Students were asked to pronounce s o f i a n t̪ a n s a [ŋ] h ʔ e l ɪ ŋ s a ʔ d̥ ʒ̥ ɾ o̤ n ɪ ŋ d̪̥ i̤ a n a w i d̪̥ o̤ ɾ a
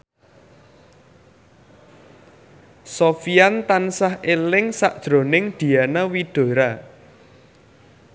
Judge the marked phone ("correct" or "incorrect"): incorrect